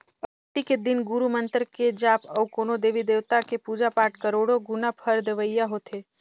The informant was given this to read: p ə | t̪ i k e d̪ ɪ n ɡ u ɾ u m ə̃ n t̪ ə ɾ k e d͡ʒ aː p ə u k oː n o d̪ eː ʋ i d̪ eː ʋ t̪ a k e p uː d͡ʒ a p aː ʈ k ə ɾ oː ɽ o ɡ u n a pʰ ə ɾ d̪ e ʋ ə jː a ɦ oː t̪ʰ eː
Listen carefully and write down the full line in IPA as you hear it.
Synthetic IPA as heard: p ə | t̪ i k e d̪ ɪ n ɡ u ɾ u m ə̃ n t̪ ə ɾ k e d͡ʒ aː p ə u k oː n o d̪ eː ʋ i d̪ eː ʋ t̪ a k e p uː d͡ʒ a p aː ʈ k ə ɾ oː ɽ o ɡ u n a pʰ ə ɾ d̪ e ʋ ə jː a ɦ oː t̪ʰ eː